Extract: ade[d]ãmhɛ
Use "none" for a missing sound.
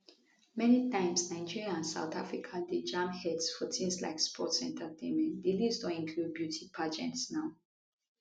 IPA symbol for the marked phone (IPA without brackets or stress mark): d͡ʒ